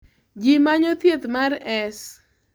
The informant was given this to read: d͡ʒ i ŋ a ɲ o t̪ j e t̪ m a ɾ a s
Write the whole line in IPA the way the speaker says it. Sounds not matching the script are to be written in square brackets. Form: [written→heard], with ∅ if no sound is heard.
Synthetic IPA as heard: d͡ʒ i [ŋ→m] a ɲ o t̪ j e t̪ m a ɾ [a→ɛ] s